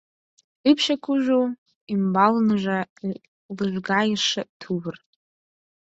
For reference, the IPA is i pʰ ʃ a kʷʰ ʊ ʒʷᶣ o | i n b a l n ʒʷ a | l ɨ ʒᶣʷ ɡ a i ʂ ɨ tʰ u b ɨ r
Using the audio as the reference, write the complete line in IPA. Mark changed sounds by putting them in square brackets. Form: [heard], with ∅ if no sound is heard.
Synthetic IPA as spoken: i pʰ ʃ a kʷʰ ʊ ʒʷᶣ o | i [m] b a l n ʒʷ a | l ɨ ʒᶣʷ ɡ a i ʂ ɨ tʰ u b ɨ r